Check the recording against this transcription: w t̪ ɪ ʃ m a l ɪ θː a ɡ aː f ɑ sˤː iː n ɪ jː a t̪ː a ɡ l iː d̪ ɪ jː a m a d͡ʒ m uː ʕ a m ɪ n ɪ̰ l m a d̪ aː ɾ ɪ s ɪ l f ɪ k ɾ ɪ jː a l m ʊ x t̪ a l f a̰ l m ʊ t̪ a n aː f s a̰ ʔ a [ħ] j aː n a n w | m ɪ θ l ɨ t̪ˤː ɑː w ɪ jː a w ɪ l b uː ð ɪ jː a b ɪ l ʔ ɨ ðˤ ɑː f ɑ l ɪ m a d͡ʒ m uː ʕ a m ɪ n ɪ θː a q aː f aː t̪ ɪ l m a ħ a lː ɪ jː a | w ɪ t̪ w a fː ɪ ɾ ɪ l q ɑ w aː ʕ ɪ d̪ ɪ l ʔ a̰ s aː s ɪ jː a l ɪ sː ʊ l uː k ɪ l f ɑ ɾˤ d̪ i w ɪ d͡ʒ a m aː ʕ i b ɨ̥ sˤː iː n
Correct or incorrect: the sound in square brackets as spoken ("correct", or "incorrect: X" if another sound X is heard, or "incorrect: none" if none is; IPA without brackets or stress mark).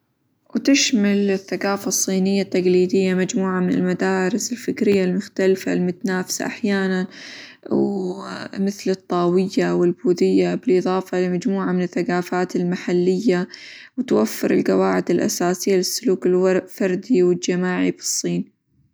correct